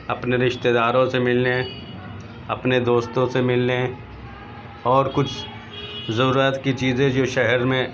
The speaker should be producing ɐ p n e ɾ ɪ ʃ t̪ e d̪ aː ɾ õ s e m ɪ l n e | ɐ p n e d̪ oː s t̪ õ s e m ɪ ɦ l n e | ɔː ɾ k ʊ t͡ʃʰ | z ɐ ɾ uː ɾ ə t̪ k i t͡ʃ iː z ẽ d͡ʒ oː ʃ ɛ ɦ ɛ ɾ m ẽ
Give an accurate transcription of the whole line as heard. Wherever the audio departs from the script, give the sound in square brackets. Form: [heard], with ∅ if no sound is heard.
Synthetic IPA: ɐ p n e ɾ ɪ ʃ t̪ e d̪ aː ɾ õ s e m ɪ l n e | ɐ p n e d̪ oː s t̪ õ s e m ɪ [∅] l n e | ɔː ɾ k ʊ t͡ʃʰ | z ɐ ɾ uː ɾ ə t̪ k i t͡ʃ iː z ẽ d͡ʒ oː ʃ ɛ ɦ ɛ ɾ m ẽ

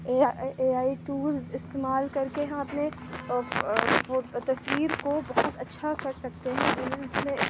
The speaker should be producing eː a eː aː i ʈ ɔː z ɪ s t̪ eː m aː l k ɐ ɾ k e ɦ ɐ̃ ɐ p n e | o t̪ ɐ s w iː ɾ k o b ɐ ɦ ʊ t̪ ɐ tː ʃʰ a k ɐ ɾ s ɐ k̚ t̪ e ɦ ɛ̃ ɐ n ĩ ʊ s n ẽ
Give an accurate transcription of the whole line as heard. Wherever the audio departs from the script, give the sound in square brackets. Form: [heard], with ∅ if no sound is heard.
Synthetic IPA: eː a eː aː i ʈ [uː] z ɪ s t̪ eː m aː l k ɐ ɾ k e ɦ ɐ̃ ɐ p n e | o t̪ ɐ s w iː ɾ k o b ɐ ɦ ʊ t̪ ɐ tː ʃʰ a k ɐ ɾ s ɐ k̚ t̪ e ɦ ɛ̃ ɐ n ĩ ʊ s [m] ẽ

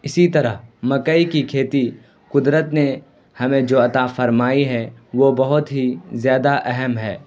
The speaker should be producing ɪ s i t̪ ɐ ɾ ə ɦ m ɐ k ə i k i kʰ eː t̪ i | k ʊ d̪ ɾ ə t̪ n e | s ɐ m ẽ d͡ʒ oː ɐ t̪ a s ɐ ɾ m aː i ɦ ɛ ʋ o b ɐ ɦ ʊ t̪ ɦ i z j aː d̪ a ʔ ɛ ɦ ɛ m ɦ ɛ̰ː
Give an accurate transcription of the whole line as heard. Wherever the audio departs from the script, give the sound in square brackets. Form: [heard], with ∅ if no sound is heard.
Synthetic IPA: ɪ s i t̪ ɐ ɾ ə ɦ m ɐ k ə i k i kʰ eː t̪ i | k ʊ d̪ ɾ ə t̪ n e | [h] ɐ m ẽ d͡ʒ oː ɐ t̪ a [f] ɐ ɾ m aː i ɦ ɛ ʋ o b ɐ ɦ ʊ t̪ ɦ i z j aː d̪ a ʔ ɛ ɦ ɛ m ɦ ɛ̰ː

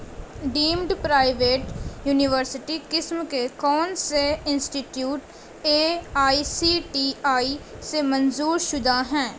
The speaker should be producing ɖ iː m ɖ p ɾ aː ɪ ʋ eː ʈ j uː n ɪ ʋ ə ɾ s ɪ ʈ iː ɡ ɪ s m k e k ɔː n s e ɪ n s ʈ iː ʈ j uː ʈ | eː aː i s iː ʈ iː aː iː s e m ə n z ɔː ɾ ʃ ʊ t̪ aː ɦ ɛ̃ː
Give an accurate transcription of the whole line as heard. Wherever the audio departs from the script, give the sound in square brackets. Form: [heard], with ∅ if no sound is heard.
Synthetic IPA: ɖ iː m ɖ p ɾ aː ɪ ʋ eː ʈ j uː n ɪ ʋ ə ɾ s ɪ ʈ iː [k] ɪ s m k e k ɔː n s e ɪ n s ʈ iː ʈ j uː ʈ | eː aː i s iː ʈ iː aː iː s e m ə n z [uː] ɾ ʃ ʊ [d̪] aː ɦ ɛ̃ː

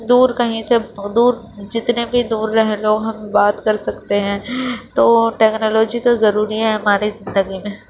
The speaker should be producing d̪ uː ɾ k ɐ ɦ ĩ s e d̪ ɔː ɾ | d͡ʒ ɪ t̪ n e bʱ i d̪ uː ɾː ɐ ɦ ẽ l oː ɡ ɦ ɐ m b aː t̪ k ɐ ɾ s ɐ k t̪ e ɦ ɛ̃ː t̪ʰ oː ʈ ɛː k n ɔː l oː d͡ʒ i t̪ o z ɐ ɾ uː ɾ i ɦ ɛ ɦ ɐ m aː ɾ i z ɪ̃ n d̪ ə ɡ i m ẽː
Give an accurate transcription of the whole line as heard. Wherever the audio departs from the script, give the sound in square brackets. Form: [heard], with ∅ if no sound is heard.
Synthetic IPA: d̪ uː ɾ k ɐ ɦ ĩ s e d̪ [uː] ɾ | d͡ʒ ɪ t̪ n e bʱ i d̪ uː ɾː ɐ ɦ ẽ l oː ɡ ɦ ɐ m b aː t̪ k ɐ ɾ s ɐ k t̪ e ɦ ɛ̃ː [t̪] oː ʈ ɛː k n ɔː l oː d͡ʒ i t̪ o z ɐ ɾ uː ɾ i ɦ ɛ ɦ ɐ m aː ɾ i z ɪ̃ n d̪ ə ɡ i m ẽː

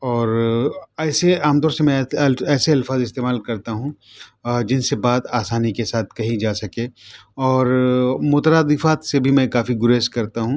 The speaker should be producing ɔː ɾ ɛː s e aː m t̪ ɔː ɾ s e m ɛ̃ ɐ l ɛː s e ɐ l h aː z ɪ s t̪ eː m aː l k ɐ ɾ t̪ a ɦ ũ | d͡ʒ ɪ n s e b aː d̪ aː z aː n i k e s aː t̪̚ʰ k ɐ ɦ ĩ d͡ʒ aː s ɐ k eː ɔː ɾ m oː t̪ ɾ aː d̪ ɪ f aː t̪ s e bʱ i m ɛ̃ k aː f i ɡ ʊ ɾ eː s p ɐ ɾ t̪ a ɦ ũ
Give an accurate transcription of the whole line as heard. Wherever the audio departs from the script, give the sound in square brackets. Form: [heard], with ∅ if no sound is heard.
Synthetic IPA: ɔː ɾ ɛː s e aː m t̪ ɔː ɾ s e m ɛ̃ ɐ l ɛː s e ɐ l [f] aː z ɪ s t̪ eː m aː l k ɐ ɾ t̪ a ɦ ũ | d͡ʒ ɪ n s e b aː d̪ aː [s] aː n i k e s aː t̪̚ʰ k ɐ ɦ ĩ d͡ʒ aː s ɐ k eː ɔː ɾ m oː t̪ ɾ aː d̪ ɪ f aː t̪ s e bʱ i m ɛ̃ k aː f i ɡ ʊ ɾ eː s [k] ɐ ɾ t̪ a ɦ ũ

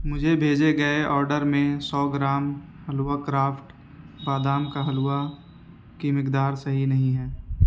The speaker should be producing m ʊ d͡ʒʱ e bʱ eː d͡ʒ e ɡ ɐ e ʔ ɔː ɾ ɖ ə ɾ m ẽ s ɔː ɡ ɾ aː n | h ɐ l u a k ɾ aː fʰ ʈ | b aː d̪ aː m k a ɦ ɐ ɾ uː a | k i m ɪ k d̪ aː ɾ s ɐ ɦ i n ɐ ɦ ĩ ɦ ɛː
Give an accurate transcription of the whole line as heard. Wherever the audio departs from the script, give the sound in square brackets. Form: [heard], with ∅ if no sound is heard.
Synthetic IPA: m ʊ d͡ʒʱ e bʱ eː d͡ʒ e ɡ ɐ e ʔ ɔː ɾ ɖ ə ɾ m ẽ s ɔː ɡ ɾ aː [m] | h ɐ l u a k ɾ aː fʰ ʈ | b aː d̪ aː m k a ɦ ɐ [l] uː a | k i m ɪ k d̪ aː ɾ s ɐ ɦ i n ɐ ɦ ĩ ɦ ɛː

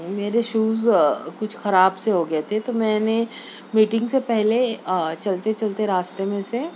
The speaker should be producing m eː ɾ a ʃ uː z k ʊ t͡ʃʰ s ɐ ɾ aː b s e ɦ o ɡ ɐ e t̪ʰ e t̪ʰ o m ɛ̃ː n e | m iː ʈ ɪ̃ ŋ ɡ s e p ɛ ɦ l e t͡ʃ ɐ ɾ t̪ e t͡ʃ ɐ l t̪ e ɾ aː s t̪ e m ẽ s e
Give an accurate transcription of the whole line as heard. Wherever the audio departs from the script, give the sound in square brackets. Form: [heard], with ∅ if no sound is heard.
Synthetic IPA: m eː ɾ [e] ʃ uː z k ʊ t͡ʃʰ [x] ɐ ɾ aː b s e ɦ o ɡ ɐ e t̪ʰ e [t̪] o m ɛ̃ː n e | m iː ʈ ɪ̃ ŋ ɡ s e p ɛ ɦ l e t͡ʃ ɐ [l] t̪ e t͡ʃ ɐ l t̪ e ɾ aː s t̪ e m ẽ s e

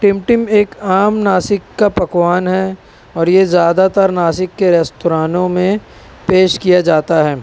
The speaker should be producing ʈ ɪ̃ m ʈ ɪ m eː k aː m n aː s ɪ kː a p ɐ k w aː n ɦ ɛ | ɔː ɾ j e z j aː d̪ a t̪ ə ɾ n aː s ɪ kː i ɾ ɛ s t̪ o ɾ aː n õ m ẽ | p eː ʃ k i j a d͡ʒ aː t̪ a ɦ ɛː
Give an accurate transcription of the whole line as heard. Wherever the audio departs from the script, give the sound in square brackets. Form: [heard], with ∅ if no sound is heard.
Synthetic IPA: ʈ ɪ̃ m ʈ ɪ m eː k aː m n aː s ɪ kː a p ɐ k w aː n ɦ ɛ | ɔː ɾ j e z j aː d̪ a t̪ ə ɾ n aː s ɪ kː [e] ɾ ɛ s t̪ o ɾ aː n õ m ẽ | p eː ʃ k i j a d͡ʒ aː t̪ a ɦ ɛː

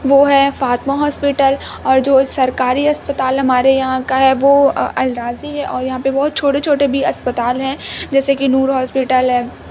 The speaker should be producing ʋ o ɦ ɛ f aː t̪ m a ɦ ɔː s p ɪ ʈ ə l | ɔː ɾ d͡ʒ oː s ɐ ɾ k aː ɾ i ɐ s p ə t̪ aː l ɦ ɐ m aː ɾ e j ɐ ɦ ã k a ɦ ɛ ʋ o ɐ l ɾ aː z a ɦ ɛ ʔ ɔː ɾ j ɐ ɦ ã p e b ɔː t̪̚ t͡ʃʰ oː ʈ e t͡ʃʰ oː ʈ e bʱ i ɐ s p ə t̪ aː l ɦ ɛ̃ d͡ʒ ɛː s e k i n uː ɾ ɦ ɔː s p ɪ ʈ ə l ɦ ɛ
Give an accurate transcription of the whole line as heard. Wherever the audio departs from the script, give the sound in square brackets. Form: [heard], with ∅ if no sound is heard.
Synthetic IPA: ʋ o ɦ ɛ f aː t̪ m a ɦ ɔː s p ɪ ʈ ə l | ɔː ɾ d͡ʒ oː s ɐ ɾ k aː ɾ i ɐ s p ə t̪ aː l ɦ ɐ m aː ɾ e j ɐ ɦ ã k a ɦ ɛ ʋ o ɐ l ɾ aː z [i] ɦ ɛ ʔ ɔː ɾ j ɐ ɦ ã p e b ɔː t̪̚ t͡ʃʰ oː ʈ e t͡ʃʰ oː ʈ e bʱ i ɐ s p ə t̪ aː l ɦ ɛ̃ d͡ʒ ɛː s e k i n uː ɾ ɦ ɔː s p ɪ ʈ ə l ɦ ɛ

